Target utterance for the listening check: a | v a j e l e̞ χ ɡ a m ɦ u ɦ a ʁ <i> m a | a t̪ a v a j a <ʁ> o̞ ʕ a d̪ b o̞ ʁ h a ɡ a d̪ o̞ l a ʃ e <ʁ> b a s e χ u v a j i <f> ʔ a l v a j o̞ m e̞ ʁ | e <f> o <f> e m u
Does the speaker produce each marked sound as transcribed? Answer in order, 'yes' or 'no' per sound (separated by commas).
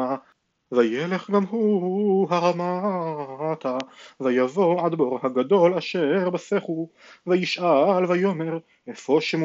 no, no, yes, no, yes, no